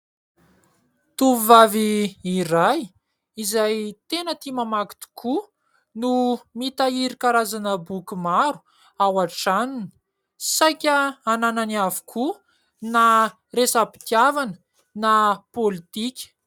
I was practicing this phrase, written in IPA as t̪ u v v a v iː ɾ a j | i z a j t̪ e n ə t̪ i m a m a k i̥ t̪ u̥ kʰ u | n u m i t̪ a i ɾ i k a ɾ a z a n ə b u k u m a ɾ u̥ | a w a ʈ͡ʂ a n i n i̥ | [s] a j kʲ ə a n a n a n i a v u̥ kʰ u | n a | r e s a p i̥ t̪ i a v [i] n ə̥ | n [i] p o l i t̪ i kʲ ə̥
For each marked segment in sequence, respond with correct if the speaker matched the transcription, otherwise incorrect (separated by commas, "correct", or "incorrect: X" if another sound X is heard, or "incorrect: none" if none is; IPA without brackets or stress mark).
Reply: correct, incorrect: a, incorrect: a